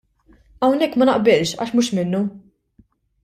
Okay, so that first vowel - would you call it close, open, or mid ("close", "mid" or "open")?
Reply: open